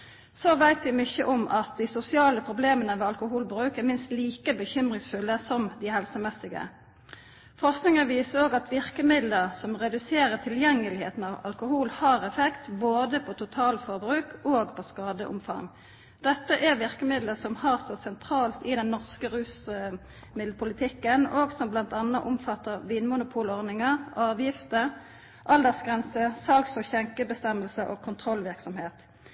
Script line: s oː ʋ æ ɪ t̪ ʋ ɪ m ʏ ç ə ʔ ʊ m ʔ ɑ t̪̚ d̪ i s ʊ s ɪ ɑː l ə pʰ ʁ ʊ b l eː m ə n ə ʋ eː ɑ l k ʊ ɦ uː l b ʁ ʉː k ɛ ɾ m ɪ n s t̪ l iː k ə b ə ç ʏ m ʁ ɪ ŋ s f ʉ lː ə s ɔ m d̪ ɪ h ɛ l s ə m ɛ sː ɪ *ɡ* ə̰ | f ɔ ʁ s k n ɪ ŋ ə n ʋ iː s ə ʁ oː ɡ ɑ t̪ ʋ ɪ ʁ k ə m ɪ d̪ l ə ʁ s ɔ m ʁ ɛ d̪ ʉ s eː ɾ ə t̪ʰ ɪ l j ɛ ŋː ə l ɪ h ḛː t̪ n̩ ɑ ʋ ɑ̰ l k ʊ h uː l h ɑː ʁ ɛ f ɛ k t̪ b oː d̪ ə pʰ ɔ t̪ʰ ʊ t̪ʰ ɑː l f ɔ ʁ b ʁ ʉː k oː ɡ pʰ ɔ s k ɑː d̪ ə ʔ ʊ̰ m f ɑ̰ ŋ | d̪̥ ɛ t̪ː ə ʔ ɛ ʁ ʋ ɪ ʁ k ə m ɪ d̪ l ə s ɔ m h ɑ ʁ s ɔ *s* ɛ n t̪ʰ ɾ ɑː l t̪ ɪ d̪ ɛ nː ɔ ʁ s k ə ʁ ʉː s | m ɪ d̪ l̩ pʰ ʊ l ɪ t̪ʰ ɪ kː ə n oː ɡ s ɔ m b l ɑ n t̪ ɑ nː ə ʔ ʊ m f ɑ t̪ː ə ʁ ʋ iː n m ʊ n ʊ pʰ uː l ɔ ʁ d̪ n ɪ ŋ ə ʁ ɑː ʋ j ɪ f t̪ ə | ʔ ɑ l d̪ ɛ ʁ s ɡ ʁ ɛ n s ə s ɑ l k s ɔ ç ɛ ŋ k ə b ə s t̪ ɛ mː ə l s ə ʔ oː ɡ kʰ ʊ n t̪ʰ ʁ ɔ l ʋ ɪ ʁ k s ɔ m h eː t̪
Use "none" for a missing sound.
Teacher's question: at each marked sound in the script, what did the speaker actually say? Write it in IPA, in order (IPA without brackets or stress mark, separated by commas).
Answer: ɡ, s